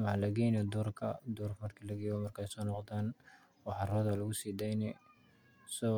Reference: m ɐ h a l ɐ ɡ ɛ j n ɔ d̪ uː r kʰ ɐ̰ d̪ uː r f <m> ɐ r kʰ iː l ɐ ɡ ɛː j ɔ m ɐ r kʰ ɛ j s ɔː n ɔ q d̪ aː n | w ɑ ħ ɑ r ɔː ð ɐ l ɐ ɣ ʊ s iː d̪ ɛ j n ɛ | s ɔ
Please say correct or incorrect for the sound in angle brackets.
correct